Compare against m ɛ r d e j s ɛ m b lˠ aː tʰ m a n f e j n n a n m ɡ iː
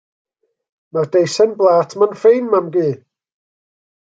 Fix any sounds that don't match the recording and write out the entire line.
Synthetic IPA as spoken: m a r d e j s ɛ n b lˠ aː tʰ m a n f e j n m a m ɡ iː